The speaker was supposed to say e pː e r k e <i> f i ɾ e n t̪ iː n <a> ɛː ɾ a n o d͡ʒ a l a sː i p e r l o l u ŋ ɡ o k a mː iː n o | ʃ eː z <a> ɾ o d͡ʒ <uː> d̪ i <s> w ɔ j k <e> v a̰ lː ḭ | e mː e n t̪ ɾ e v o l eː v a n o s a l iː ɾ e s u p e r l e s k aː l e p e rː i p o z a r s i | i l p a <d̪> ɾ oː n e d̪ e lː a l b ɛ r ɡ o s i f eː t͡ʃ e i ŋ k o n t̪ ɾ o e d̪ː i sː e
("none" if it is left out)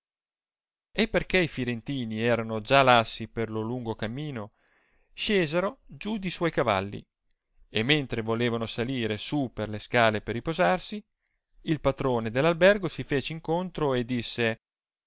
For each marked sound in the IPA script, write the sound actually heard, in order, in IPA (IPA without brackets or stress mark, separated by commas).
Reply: i, i, e, u, s, a, t̪